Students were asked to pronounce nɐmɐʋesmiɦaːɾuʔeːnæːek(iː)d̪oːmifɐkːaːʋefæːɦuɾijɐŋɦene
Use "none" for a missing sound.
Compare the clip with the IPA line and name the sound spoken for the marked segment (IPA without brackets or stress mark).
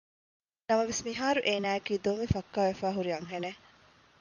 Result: iː